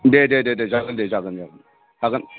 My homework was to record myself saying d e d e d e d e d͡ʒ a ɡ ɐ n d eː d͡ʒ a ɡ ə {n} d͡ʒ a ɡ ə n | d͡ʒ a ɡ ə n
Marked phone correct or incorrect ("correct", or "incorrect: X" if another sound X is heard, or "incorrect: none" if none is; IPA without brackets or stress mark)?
correct